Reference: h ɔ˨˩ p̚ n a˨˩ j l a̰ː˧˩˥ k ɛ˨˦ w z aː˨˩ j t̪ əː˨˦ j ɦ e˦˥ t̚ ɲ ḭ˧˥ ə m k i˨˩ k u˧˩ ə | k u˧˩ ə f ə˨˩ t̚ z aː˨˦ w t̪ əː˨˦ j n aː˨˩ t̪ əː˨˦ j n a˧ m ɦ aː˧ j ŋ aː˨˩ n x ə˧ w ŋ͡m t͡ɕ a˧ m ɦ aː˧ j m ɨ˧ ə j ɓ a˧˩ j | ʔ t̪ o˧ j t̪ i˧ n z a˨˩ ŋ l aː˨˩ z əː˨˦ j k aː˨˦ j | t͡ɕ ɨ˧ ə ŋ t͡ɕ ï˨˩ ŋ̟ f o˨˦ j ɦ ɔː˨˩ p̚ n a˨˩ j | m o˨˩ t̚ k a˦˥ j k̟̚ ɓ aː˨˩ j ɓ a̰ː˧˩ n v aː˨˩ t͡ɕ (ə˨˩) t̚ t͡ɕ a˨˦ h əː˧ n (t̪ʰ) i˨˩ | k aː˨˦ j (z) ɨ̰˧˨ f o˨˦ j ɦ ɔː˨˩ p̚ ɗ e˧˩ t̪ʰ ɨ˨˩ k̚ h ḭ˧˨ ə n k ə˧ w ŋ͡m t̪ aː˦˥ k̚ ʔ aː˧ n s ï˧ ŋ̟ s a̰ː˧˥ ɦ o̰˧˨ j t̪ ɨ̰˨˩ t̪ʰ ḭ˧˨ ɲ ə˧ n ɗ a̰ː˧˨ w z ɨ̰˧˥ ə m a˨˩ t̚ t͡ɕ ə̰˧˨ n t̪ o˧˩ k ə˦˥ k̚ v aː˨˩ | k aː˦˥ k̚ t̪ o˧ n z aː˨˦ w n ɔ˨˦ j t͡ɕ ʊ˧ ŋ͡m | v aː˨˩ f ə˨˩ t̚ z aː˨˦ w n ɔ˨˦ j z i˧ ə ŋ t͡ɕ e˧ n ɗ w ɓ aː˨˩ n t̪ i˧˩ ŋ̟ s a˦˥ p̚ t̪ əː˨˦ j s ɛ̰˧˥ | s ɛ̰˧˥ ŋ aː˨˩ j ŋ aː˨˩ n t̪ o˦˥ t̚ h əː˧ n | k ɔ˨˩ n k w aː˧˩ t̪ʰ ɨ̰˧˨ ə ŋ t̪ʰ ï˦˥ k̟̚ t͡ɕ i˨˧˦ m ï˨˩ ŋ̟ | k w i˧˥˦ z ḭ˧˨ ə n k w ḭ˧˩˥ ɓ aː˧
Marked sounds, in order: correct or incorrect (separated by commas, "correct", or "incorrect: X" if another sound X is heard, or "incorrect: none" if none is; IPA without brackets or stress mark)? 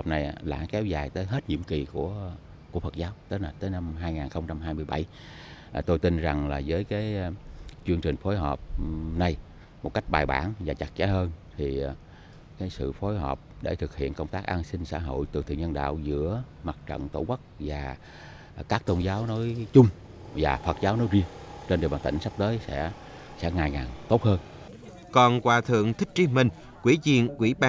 incorrect: a˨˩, correct, incorrect: s